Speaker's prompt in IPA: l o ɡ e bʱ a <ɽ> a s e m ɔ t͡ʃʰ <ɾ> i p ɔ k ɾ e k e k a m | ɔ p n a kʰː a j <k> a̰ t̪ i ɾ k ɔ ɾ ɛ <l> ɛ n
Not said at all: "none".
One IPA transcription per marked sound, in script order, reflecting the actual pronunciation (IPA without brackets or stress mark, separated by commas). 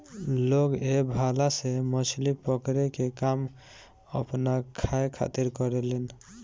l, l, kʰ, l